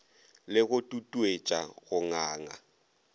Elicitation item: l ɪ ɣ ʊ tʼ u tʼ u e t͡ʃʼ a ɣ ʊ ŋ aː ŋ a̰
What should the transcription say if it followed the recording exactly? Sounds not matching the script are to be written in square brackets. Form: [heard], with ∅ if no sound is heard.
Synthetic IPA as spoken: l ɪ ɣ ʊ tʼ u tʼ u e t͡ʃʼ a ɣ ʊ ŋ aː ŋ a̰